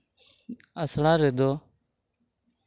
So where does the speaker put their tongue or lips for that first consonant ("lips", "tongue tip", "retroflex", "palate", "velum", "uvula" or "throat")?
tongue tip